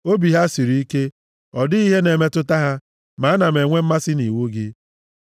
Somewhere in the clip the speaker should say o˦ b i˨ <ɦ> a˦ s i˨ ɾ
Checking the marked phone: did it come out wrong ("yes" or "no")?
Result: no